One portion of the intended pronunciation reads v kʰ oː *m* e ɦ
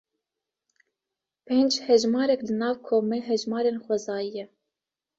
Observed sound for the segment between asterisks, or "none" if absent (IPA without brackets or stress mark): m